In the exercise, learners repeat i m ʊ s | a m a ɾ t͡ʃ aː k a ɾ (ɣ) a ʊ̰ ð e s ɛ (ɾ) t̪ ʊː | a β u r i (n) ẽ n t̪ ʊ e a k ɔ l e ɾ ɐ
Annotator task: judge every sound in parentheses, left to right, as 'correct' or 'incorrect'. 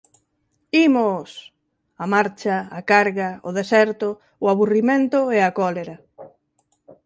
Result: correct, correct, incorrect

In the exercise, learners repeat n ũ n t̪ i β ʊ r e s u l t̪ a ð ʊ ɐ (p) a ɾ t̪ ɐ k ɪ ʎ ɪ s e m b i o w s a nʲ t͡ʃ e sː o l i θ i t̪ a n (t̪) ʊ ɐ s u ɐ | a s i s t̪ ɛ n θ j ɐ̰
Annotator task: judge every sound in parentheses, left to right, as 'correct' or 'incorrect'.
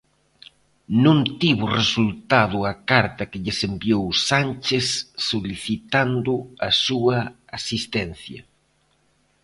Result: incorrect, incorrect

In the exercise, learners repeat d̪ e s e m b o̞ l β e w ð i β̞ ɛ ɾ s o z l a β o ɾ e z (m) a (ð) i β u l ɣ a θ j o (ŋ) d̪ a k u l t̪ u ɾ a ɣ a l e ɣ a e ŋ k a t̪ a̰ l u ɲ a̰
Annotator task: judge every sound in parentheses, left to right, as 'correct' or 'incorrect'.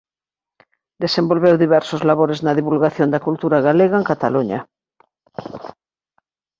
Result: incorrect, correct, incorrect

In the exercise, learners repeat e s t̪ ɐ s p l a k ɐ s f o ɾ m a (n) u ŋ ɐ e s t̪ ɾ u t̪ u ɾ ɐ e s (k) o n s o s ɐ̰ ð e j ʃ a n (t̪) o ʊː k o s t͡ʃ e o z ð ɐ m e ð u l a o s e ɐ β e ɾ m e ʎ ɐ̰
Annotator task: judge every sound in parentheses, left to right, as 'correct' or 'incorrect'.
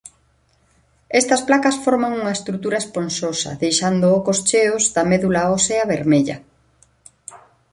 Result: incorrect, incorrect, incorrect

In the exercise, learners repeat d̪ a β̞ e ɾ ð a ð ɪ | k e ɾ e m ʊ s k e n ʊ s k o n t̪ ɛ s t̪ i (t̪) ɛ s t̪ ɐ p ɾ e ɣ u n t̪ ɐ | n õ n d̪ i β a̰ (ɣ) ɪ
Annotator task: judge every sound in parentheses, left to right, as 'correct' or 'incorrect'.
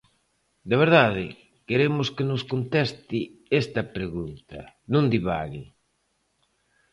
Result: incorrect, correct

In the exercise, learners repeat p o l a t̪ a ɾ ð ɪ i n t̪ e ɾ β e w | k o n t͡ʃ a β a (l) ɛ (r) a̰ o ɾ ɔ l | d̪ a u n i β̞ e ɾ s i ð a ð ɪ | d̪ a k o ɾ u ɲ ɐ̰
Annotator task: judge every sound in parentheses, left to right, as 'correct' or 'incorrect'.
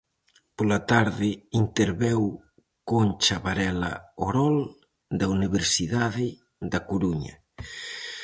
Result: incorrect, incorrect

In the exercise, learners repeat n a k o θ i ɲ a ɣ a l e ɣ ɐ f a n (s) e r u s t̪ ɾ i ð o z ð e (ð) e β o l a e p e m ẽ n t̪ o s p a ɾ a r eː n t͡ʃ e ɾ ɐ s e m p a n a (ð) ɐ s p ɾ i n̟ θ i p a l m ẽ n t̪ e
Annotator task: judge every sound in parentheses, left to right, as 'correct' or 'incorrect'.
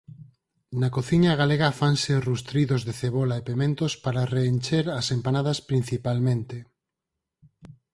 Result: correct, incorrect, correct

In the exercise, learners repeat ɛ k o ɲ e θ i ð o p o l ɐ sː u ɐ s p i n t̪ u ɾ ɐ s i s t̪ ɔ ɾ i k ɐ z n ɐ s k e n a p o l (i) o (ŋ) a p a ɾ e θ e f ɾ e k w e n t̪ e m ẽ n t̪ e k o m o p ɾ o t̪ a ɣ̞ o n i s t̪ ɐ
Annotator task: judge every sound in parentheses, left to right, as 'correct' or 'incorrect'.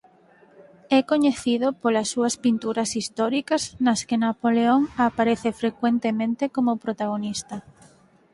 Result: incorrect, correct

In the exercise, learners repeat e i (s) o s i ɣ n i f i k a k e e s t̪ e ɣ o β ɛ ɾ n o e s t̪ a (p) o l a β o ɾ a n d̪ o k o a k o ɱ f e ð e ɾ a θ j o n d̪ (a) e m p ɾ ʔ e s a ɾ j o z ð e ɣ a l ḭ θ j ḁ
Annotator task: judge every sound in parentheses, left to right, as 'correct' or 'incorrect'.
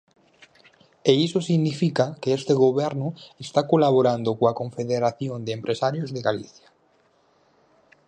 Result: correct, incorrect, incorrect

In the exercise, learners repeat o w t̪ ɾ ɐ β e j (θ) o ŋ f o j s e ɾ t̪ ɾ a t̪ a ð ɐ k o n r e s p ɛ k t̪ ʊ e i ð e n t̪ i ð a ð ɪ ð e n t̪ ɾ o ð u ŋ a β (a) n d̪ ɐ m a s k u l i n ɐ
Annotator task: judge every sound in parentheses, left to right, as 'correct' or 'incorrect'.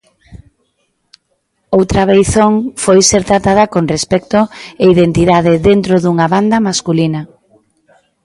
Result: correct, correct

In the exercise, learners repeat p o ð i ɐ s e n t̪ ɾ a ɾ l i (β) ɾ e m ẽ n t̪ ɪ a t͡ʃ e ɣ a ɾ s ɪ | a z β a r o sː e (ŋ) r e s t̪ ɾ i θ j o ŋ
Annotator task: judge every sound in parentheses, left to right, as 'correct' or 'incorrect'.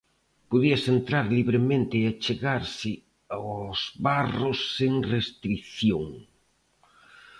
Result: correct, correct

